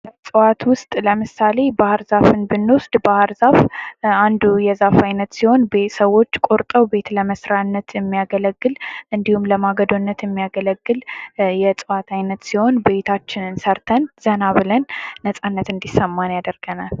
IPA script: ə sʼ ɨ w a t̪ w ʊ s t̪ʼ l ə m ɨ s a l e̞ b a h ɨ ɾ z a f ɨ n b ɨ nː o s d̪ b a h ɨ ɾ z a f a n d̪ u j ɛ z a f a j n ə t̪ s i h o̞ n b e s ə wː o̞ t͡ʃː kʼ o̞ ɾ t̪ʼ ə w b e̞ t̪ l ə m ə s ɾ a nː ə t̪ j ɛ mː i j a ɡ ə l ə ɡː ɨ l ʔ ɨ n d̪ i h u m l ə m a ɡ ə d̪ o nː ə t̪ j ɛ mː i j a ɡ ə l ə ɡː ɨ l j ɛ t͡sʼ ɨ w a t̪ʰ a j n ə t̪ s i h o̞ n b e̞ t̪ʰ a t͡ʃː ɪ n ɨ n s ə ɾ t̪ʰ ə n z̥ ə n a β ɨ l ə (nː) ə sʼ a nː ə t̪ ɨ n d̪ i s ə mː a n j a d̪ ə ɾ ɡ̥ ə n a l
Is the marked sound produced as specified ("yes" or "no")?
yes